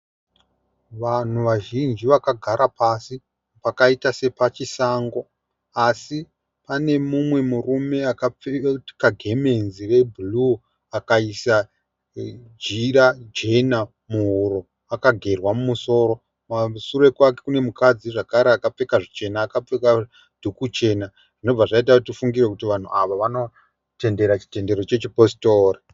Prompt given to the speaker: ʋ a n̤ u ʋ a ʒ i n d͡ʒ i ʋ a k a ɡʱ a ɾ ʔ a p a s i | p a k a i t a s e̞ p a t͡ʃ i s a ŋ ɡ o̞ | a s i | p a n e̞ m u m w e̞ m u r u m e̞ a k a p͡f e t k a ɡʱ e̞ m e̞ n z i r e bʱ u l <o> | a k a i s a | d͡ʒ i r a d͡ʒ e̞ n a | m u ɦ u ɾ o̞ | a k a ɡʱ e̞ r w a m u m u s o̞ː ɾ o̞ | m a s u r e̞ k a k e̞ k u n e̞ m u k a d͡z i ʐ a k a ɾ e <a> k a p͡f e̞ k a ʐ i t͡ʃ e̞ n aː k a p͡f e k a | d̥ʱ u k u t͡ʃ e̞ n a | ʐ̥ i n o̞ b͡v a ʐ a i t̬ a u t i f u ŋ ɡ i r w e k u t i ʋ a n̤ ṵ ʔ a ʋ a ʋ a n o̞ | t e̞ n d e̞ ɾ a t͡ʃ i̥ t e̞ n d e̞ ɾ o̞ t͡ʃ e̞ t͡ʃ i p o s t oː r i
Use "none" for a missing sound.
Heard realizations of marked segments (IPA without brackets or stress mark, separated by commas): u, a